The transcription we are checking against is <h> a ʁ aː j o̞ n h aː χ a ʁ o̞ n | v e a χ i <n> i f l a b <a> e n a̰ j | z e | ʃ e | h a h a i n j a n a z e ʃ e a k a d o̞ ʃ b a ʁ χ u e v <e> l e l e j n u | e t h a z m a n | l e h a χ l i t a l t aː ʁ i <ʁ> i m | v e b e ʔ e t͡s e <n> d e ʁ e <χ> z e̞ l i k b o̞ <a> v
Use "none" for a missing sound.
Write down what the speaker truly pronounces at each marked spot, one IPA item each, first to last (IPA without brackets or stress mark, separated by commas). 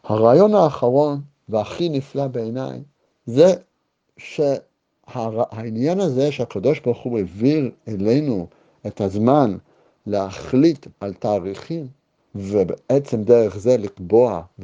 h, n, e, i, χ, m, χ, a